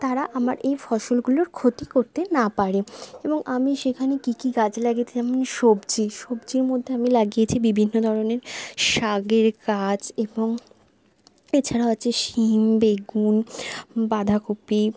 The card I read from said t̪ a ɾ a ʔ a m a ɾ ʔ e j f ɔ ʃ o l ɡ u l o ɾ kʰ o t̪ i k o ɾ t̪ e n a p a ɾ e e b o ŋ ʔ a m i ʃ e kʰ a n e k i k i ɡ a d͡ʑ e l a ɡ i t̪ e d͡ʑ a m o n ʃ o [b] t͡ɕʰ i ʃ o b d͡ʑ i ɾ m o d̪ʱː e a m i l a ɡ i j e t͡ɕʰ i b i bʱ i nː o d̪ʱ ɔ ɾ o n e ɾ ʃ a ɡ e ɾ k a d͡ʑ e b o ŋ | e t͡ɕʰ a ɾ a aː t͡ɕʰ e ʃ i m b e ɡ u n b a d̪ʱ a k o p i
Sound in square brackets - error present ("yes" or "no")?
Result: no